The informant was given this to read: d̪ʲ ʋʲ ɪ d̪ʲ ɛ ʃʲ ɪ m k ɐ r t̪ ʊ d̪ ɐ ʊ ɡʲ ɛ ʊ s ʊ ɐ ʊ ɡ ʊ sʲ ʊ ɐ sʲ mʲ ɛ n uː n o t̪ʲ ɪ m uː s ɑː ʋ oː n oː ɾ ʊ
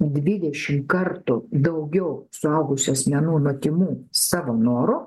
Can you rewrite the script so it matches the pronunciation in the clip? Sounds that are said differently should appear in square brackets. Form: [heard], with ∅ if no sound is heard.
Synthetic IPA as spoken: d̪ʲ ʋʲ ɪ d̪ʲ ɛ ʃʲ ɪ m k ɐ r t̪ ʊ d̪ ɐ ʊ ɡʲ ɛ ʊ s ʊ ɐ ʊ ɡ ʊ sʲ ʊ ɐ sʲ mʲ ɛ n uː n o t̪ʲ ɪ m uː s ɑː ʋ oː n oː ɾ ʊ